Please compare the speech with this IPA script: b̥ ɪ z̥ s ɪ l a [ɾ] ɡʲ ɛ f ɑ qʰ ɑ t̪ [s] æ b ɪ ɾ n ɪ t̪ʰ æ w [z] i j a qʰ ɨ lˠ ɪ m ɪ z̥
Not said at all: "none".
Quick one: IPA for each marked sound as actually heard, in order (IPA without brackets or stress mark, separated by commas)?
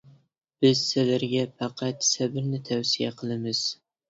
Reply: ɾ, s, s